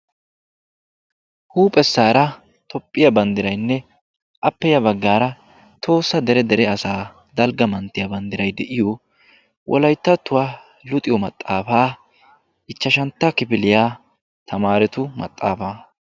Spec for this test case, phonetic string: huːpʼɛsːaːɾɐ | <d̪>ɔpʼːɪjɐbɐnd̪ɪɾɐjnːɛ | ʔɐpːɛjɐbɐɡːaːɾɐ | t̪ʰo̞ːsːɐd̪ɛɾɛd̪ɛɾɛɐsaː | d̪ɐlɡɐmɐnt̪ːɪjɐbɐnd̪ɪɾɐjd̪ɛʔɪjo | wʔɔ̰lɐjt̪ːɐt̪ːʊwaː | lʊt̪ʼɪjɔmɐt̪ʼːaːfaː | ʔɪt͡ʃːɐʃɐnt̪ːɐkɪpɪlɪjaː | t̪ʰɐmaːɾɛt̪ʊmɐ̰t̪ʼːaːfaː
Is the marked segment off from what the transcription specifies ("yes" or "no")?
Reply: yes